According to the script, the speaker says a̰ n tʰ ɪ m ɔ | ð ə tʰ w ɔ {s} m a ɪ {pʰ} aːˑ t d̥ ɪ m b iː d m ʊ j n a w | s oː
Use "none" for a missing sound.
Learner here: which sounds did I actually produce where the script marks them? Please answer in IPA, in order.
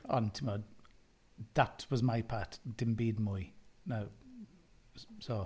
z, pʰ

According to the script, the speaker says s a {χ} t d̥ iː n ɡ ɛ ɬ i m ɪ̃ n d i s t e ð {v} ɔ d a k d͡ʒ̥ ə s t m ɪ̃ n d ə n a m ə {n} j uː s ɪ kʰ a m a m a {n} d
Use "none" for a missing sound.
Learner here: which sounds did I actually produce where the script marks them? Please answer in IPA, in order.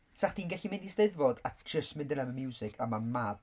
χ, v, m, none

